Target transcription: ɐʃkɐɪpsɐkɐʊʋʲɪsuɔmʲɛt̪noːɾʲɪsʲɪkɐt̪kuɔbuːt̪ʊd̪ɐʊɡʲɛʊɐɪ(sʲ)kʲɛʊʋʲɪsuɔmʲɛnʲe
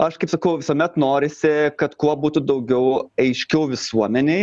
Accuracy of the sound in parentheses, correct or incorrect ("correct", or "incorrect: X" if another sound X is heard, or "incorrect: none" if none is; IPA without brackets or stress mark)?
incorrect: ʃʲ